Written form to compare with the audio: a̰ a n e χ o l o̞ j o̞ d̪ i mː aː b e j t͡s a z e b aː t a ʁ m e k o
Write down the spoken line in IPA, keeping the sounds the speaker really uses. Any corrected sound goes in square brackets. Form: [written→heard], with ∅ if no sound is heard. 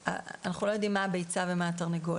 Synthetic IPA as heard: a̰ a n [e→a] χ [o→u] l o̞ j o̞ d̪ i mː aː b e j t͡s a [z→v] e [b→m] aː t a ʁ [m→n] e [k→ɡ] o